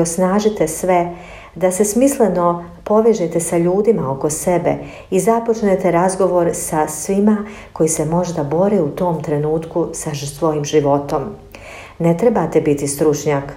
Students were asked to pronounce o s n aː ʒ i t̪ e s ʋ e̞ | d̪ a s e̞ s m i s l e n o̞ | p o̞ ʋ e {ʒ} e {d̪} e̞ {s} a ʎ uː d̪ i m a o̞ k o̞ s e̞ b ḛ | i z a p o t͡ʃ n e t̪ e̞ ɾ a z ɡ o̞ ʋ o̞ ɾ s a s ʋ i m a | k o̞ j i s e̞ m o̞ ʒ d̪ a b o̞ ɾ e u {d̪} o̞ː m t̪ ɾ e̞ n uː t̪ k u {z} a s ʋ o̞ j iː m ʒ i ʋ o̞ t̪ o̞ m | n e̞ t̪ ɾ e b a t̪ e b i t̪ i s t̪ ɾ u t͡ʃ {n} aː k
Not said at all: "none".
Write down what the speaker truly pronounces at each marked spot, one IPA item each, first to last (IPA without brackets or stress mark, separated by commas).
ʒ, t̪, s, t̪, s, ɲ